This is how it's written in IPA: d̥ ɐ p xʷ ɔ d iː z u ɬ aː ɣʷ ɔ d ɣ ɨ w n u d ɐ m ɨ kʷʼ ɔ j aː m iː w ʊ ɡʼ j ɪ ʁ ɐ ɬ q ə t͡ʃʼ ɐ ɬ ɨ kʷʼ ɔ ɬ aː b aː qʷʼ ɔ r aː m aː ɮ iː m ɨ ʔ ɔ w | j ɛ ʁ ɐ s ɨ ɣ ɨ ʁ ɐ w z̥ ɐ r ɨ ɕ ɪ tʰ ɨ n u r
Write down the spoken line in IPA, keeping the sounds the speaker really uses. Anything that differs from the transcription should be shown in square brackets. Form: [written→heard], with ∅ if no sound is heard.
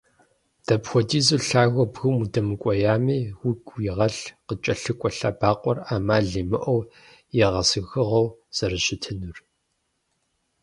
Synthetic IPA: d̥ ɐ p xʷ ɔ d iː z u ɬ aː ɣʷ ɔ [d→b] ɣ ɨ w [n→m] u d ɐ m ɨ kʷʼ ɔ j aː m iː w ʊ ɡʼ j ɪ ʁ ɐ ɬ q ə t͡ʃʼ ɐ ɬ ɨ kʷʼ ɔ ɬ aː b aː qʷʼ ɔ r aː m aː ɮ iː m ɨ ʔ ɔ w | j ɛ ʁ ɐ s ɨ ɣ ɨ ʁ ɐ w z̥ ɐ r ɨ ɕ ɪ tʰ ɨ n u r